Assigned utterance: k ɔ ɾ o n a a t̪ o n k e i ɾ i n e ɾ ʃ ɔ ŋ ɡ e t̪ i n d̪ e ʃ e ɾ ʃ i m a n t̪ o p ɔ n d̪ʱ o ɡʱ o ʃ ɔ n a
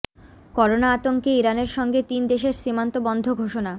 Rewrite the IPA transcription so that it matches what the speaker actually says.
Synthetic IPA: k ɔ ɾ o n a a t̪ o ŋ k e i ɾ a n e ɾ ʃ ɔ ŋ ɡ e t̪ i n d̪ e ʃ e ɾ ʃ i m a n t̪ o b ɔ n d̪ʱ o ɡʱ o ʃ o n a